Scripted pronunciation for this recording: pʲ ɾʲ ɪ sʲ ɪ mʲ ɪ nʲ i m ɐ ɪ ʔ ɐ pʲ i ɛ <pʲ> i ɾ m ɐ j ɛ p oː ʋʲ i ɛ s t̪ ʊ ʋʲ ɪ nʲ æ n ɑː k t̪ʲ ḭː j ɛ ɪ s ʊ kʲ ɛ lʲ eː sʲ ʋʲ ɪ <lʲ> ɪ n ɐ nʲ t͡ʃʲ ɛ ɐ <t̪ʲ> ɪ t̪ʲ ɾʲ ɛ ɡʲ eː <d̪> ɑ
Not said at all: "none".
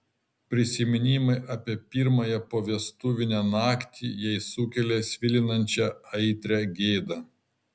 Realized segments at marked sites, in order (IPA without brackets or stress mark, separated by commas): pʲ, lʲ, none, d̪